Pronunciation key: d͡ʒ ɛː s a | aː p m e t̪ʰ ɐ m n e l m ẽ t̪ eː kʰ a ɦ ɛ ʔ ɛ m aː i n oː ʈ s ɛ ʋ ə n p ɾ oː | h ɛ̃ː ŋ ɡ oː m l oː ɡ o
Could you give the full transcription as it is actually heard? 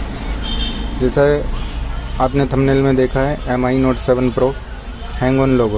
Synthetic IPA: d͡ʒ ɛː s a | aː p n e t̪ʰ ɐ m n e l m ẽ d̪ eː kʰ a ɦ ɛ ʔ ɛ m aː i n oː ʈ s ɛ ʋ ə n p ɾ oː | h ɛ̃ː ŋ ɡ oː n l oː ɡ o